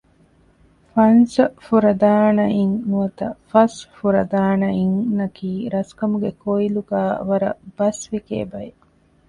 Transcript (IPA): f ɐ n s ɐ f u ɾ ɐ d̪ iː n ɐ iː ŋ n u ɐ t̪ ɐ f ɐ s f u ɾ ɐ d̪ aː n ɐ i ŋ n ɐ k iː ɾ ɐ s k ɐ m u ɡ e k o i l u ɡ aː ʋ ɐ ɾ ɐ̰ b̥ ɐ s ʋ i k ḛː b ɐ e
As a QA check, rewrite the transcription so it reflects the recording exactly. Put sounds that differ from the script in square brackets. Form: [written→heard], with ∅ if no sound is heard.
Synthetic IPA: f ɐ n s ɐ f u ɾ ɐ d̪ [iː→aː] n ɐ [iː→i] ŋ n u ɐ t̪ ɐ f ɐ s f u ɾ ɐ d̪ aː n ɐ i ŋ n ɐ k iː ɾ ɐ s k ɐ m u ɡ e k o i l u ɡ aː ʋ ɐ ɾ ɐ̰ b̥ ɐ s ʋ i k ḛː b ɐ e